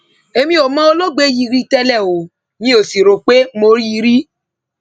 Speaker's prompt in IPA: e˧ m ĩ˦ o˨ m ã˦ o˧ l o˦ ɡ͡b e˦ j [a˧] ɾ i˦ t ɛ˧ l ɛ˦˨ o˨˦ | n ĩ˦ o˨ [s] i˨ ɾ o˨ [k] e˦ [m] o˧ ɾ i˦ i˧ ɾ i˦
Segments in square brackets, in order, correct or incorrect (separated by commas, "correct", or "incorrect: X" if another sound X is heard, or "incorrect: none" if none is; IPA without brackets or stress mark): incorrect: i˧, correct, incorrect: k͡p, correct